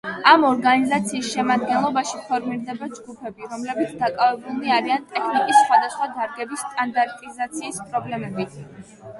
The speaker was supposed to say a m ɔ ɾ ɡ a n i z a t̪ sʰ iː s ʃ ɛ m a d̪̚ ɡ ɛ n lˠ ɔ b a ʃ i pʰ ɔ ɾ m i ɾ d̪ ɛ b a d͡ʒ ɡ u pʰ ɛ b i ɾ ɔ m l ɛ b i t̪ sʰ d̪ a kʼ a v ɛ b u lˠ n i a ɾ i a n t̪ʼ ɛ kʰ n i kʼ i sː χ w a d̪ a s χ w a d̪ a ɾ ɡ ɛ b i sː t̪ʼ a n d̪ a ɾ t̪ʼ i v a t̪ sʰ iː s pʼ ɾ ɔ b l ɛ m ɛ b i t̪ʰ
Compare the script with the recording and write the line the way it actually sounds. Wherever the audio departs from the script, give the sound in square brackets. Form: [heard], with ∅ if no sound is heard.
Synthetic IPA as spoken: a m ɔ ɾ ɡ a n i z a t̪ sʰ iː s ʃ ɛ m a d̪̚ ɡ ɛ n lˠ ɔ b a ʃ i pʰ ɔ ɾ m i ɾ d̪ ɛ b a d͡ʒ ɡ u pʰ ɛ b i ɾ ɔ m l ɛ b i t̪ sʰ d̪ a kʼ a v ɛ b u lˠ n i a ɾ i a n t̪ʼ ɛ kʰ n i kʼ i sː χ w a d̪ a s χ w a d̪ a ɾ ɡ ɛ b i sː t̪ʼ a n d̪ a ɾ t̪ʼ i [z] a t̪ sʰ iː s pʼ ɾ ɔ b l ɛ m ɛ b i t̪ʰ